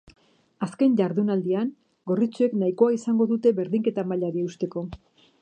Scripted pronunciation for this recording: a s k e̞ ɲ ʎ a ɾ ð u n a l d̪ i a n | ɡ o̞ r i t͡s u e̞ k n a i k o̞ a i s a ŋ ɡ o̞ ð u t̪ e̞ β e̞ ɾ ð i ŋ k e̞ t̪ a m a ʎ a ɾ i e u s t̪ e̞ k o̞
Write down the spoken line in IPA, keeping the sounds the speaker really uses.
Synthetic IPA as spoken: a s k e̞ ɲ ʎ a ɾ ð u n a l d̪ i a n | ɡ o̞ r i t͡s u e̞ k n a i k o̞ a i s a ŋ ɡ o̞ ð u t̪ e̞ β e̞ ɾ ð i ŋ k e̞ t̪ a m a ʎ a ɾ i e u s t̪ e̞ k o̞